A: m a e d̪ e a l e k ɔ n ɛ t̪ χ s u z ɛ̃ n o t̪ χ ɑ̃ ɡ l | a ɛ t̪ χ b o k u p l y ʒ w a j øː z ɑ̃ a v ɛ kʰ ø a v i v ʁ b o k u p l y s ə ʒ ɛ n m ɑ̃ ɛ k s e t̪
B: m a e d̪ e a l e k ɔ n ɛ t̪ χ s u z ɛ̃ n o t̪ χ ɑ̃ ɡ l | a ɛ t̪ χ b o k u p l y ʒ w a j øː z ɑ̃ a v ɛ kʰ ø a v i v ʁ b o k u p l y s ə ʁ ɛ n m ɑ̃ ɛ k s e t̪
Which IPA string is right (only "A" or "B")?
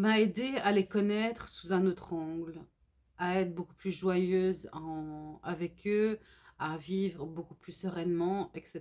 B